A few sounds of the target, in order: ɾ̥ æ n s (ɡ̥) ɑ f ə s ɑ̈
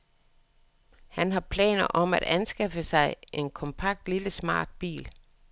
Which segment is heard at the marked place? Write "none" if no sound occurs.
ɡ̥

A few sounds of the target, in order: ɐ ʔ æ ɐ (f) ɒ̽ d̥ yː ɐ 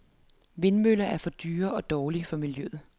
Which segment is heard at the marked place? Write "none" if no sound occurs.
f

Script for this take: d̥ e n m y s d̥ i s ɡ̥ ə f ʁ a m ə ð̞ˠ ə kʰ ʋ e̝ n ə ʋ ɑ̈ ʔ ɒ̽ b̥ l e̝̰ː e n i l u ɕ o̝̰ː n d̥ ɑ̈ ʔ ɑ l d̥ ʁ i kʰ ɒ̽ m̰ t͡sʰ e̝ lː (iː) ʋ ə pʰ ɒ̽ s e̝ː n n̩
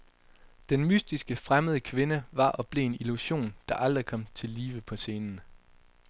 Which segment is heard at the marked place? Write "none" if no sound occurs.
iː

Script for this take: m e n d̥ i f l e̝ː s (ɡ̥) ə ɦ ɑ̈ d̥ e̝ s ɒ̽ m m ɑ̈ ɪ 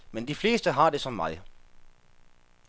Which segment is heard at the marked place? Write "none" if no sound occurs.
d̥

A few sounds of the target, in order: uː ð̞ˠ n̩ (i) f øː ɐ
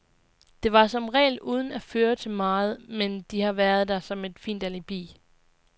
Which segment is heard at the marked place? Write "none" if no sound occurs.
æ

